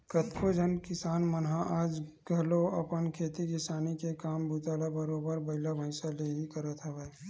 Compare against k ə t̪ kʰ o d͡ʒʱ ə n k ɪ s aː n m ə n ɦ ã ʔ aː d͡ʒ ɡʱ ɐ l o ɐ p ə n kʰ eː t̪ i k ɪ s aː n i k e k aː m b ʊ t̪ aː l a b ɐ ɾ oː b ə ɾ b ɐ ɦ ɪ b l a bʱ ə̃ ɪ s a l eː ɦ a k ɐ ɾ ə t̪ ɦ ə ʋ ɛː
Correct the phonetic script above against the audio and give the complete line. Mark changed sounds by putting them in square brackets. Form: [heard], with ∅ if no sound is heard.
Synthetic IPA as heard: k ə t̪ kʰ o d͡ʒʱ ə n k ɪ s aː n m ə n ɦ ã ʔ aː d͡ʒ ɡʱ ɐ l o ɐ p ə n kʰ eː t̪ i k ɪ s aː n i k e k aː m b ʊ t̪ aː l a b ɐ ɾ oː b ə ɾ b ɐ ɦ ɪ [∅] l a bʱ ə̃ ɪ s a l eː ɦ [i] k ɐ ɾ ə t̪ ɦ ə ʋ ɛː